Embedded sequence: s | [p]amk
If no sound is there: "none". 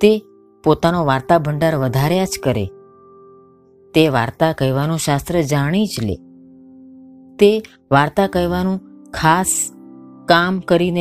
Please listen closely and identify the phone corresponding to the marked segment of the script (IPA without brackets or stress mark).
k